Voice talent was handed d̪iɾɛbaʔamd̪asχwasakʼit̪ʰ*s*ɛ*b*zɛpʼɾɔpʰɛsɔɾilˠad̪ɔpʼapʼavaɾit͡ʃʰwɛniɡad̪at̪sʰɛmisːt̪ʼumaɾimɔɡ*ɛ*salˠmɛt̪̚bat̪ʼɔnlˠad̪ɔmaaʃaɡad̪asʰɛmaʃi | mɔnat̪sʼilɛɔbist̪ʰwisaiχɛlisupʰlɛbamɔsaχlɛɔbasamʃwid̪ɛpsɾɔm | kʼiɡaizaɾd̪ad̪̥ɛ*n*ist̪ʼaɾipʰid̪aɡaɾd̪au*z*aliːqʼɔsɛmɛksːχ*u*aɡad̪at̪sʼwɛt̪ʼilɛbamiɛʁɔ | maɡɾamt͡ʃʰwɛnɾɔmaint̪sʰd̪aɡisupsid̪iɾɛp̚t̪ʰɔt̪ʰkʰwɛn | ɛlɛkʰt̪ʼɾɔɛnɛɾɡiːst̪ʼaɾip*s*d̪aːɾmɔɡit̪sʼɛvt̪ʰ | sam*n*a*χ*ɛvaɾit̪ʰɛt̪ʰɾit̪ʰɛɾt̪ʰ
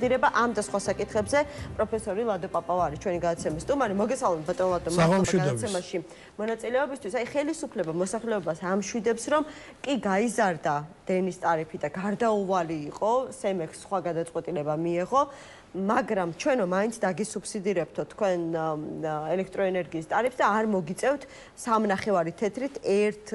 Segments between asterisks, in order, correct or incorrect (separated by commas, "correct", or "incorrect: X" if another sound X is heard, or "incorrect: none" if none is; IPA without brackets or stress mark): incorrect: χ, correct, correct, correct, incorrect: v, incorrect: w, correct, correct, correct